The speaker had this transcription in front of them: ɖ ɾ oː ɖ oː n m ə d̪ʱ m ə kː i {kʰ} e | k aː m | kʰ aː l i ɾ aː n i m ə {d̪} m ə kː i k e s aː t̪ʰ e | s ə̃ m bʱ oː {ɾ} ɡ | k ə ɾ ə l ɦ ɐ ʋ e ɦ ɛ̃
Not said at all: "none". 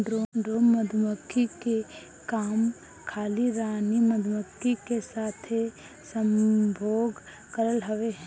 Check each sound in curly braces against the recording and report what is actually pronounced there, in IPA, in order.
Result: k, d̪, none

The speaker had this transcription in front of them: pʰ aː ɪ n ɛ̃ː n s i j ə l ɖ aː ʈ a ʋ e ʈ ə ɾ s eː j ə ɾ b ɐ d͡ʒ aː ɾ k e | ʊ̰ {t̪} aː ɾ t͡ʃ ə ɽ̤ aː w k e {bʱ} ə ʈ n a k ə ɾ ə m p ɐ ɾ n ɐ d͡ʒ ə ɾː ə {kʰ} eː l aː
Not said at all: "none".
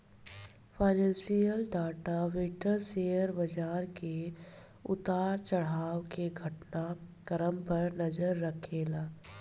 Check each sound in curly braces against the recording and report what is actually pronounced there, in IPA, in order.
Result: t̪, ɡʱ, kʰ

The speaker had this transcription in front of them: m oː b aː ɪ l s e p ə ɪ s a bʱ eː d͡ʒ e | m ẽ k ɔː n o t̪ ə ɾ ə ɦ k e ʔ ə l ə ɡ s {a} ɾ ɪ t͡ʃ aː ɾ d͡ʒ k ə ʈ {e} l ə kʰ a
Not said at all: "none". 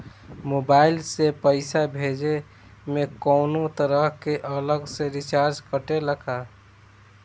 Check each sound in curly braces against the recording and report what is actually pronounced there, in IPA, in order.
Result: e, e

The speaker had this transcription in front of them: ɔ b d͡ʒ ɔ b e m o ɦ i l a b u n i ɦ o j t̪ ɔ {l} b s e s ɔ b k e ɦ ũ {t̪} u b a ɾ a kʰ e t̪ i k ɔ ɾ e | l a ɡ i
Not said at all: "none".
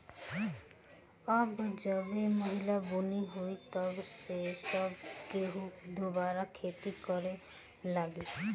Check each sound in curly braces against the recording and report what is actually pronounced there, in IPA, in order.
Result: none, d̪

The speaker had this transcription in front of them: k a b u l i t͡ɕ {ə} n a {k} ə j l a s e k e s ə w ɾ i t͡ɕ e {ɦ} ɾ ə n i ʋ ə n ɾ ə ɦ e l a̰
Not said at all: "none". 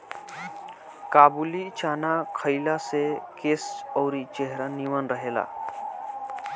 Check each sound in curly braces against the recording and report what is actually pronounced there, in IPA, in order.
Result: a, kʰ, ɦ

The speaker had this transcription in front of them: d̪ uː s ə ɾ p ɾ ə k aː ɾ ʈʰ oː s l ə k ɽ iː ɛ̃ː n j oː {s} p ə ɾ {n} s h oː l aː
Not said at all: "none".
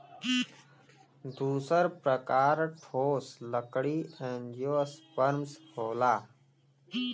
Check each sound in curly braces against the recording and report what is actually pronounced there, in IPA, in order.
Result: s, m

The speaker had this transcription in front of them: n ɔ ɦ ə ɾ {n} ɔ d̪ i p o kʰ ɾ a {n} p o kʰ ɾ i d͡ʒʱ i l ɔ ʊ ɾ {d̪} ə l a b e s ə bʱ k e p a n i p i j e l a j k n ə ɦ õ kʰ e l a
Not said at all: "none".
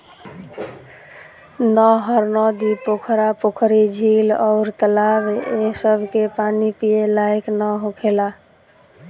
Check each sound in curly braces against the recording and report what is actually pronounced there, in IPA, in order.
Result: n, none, t̪

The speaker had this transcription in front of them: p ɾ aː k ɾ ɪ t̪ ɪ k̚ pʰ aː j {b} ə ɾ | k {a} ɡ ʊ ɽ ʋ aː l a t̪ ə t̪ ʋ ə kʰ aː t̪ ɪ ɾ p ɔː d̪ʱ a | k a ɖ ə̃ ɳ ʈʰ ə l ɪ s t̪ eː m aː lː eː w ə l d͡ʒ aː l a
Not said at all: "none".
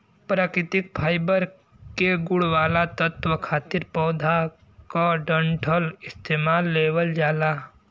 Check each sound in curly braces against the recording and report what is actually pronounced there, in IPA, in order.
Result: b, e

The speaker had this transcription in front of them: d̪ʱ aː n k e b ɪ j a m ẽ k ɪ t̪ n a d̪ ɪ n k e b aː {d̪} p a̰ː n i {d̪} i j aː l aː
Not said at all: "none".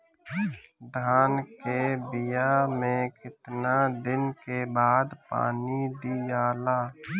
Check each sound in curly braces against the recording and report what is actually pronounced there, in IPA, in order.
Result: d̪, d̪

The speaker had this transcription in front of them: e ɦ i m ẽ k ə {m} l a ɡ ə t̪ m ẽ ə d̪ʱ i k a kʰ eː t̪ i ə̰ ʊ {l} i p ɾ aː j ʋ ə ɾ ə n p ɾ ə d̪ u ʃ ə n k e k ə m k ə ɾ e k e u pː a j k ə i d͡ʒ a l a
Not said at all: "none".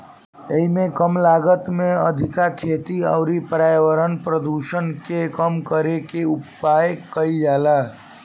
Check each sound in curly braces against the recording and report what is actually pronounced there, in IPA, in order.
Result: m, ɾ

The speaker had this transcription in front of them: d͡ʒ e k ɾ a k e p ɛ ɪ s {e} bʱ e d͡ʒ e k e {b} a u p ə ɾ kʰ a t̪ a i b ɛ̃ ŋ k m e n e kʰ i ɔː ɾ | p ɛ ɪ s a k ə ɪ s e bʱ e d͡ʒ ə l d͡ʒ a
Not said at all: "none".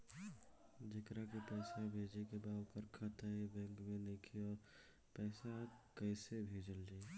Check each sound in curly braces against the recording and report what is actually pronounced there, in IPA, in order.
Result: a, b

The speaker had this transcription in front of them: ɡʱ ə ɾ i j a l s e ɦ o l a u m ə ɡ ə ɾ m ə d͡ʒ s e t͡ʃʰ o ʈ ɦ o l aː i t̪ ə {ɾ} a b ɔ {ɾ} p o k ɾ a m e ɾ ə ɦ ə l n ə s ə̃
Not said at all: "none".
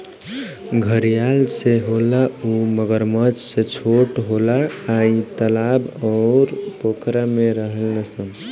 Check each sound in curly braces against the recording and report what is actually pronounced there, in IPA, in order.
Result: l, ɾ

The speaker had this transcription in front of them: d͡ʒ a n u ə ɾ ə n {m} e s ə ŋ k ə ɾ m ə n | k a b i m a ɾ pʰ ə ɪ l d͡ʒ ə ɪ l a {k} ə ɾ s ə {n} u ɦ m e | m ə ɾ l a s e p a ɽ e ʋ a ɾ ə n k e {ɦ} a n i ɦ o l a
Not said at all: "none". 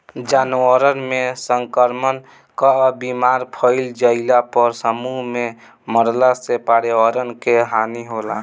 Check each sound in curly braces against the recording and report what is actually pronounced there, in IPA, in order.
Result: m, p, m, ɦ

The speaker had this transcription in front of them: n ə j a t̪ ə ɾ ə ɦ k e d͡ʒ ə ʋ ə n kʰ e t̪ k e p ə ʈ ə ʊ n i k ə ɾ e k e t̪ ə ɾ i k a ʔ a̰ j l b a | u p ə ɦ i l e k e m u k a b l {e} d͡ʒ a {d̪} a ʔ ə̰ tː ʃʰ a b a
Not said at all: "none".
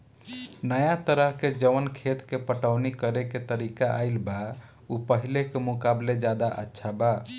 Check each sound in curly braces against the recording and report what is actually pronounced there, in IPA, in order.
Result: e, d̪

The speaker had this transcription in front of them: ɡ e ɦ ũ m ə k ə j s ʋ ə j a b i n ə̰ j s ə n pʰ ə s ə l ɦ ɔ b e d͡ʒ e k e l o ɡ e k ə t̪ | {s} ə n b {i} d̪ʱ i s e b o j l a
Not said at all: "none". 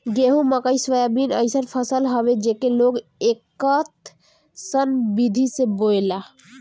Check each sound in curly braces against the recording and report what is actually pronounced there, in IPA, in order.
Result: s, i

